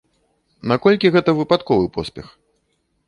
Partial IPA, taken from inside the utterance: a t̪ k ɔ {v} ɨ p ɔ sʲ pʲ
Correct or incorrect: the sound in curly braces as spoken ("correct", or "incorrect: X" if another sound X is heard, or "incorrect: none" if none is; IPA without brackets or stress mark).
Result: correct